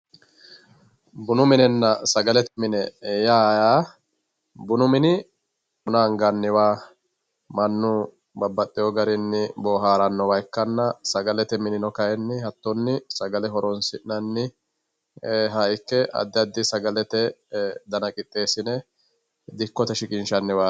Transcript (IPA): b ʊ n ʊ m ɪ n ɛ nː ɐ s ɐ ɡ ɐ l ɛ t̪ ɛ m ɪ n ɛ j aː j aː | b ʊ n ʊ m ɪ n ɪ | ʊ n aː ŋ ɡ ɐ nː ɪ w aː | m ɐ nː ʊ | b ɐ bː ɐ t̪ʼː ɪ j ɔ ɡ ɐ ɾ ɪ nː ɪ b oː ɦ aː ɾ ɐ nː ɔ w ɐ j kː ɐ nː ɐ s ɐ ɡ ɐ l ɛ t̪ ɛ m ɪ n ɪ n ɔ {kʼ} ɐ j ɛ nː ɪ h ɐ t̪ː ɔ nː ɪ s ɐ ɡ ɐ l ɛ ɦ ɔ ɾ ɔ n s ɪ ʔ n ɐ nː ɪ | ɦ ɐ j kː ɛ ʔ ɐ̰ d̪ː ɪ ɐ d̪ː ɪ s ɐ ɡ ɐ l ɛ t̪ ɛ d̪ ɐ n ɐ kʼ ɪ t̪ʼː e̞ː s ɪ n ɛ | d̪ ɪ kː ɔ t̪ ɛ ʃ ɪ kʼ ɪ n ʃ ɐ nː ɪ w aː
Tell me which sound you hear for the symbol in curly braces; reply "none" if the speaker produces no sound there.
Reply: k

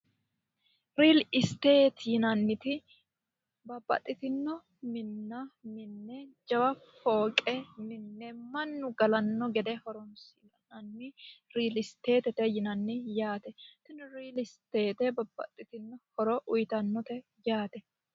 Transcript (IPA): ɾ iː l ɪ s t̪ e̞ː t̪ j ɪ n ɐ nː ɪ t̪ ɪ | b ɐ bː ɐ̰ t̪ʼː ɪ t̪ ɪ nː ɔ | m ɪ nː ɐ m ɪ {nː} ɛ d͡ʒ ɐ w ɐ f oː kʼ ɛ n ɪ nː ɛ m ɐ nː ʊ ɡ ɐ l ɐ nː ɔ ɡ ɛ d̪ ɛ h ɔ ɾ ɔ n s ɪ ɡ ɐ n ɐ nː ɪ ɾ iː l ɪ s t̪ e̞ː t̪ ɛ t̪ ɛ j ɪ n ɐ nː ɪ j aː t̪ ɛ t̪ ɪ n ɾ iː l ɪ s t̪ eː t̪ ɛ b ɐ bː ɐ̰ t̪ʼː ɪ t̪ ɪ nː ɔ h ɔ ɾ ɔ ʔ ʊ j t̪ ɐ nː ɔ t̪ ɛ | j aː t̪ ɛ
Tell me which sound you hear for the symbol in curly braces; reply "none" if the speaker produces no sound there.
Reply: nː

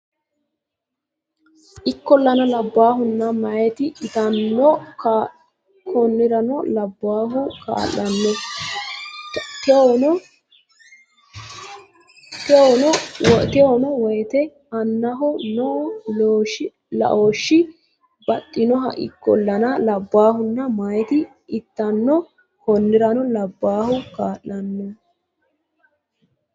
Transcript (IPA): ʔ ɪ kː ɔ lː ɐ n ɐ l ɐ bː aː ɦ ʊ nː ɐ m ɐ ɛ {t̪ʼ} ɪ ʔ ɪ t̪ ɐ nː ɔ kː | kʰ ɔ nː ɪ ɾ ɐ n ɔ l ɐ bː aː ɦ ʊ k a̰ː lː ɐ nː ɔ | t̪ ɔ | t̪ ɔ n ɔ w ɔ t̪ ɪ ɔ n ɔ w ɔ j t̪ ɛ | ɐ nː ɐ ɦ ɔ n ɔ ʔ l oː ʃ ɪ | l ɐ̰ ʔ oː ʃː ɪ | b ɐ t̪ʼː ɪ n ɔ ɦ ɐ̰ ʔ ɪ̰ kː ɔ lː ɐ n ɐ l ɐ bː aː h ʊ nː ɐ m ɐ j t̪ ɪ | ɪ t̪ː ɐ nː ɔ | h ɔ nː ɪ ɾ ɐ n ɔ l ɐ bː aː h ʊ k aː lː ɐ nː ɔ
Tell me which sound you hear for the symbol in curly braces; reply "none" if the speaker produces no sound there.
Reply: t̪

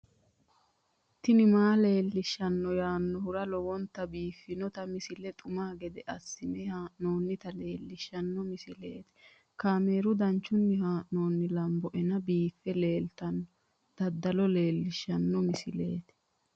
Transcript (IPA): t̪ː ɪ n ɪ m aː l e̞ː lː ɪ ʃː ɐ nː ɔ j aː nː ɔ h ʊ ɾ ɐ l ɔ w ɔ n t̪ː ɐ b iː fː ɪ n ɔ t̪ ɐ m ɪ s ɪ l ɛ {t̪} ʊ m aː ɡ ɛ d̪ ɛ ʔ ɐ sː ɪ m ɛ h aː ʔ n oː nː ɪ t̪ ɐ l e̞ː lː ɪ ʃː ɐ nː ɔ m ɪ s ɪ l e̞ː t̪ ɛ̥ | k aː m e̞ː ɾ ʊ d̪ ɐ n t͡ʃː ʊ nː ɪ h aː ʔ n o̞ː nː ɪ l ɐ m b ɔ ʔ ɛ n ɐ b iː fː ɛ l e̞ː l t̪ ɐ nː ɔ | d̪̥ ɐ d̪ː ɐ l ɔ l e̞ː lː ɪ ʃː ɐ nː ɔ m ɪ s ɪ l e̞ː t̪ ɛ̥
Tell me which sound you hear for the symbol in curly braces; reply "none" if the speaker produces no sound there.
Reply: t̪ʼ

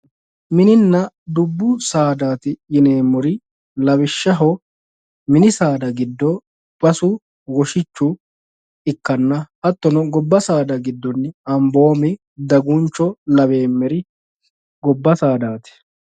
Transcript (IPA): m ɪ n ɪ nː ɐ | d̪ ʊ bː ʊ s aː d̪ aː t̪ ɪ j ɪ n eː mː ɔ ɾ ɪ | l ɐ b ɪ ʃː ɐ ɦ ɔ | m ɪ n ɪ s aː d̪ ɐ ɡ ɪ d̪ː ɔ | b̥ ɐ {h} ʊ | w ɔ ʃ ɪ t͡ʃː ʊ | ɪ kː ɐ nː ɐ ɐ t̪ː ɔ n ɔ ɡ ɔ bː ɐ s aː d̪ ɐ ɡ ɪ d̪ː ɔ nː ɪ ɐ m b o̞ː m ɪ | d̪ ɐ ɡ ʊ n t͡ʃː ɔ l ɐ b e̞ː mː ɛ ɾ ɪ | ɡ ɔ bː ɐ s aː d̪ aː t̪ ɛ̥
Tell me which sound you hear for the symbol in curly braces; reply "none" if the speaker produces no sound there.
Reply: s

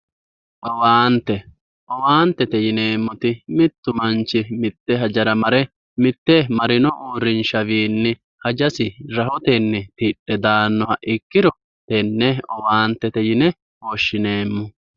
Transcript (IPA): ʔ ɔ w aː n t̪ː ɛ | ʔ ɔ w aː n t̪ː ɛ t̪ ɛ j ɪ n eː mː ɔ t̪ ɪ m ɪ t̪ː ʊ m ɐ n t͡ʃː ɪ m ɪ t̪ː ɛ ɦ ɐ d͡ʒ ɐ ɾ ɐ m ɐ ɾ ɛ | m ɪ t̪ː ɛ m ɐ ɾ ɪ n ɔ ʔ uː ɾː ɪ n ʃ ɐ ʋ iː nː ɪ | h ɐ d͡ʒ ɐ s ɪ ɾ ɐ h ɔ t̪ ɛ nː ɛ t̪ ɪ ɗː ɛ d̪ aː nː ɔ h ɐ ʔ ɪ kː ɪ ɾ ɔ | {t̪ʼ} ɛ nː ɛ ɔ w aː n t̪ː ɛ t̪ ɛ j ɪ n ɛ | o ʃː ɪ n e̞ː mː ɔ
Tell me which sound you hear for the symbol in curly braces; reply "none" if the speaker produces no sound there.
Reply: t̪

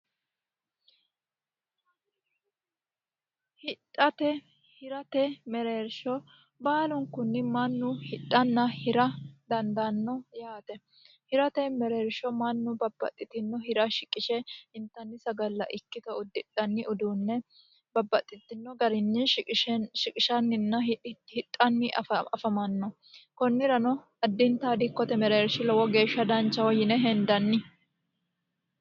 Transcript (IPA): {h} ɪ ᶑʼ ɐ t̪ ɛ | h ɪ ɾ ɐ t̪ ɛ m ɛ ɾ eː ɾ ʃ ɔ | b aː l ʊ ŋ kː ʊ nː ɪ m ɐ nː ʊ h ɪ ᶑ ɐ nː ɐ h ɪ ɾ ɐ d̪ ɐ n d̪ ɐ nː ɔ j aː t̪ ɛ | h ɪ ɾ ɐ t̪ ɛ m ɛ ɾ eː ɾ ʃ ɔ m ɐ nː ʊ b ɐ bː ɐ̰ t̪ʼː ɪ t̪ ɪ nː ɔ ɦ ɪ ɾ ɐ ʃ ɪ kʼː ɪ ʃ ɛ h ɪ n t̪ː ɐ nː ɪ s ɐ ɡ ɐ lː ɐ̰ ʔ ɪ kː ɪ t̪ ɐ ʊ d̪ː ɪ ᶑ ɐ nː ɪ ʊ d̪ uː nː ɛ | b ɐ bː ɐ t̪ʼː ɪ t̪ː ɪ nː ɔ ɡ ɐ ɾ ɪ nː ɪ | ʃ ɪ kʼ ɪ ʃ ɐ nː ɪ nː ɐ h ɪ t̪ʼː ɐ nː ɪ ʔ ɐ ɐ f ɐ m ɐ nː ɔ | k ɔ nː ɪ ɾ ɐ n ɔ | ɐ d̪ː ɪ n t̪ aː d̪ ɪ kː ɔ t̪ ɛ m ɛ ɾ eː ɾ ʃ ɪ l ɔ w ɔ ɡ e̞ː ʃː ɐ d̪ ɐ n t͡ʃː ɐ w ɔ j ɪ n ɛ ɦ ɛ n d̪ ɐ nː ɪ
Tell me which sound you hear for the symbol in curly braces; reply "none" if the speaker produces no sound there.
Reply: h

